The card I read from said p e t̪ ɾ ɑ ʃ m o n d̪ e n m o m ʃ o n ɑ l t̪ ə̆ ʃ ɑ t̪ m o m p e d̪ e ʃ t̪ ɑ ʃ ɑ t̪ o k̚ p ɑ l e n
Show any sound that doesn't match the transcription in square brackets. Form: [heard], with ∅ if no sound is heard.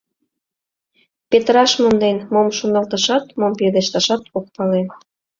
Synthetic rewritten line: p e t̪ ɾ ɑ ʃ m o n d̪ e n m o m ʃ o n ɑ l t̪ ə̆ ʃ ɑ t̪ m o m p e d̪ e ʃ t̪ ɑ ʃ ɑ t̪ o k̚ p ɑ l e n